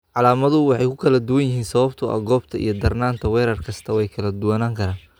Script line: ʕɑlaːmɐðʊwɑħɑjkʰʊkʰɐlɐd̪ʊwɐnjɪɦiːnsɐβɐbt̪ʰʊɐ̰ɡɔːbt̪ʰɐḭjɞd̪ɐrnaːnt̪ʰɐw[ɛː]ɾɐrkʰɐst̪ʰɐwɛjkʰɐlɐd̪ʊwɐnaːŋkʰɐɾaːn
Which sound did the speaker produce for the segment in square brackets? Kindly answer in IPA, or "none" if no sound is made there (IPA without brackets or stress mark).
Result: ɛː